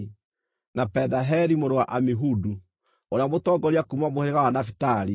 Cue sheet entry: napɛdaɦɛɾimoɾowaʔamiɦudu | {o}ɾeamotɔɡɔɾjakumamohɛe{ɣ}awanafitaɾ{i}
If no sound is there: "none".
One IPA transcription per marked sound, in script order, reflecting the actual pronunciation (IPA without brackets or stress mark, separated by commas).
o, ɣ, i